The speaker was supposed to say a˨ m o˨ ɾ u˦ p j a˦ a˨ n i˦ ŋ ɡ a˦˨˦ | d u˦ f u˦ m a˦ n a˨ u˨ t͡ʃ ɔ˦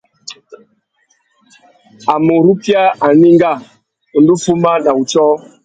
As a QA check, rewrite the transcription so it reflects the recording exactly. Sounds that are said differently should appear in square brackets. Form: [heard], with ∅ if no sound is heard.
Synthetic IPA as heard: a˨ m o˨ ɾ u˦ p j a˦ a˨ n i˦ ŋ ɡ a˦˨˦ | d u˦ f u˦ m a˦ n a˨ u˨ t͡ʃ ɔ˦